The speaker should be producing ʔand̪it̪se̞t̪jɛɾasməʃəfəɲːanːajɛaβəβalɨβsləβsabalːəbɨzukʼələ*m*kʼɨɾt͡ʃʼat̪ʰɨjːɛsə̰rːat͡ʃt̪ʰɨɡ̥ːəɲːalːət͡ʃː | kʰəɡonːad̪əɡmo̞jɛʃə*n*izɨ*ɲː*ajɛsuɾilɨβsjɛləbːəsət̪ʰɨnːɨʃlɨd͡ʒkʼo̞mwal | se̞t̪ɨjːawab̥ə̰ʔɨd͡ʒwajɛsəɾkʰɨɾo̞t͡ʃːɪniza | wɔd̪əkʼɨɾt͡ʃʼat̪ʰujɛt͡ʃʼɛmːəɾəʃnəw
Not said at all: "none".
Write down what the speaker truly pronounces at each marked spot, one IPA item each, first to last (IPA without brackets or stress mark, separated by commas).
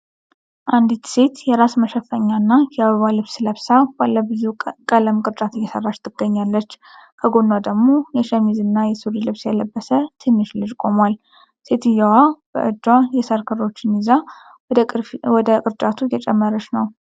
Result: m, m, nː